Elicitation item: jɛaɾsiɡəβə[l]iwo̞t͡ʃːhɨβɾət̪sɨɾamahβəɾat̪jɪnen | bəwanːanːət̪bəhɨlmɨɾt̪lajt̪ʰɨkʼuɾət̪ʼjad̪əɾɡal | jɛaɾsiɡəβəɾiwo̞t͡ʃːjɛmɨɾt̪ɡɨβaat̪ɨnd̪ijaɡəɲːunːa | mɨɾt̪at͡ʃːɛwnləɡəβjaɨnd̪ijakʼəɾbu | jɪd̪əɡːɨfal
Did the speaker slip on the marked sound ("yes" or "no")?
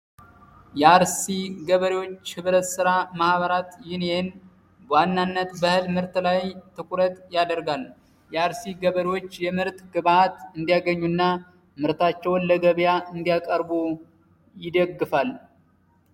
yes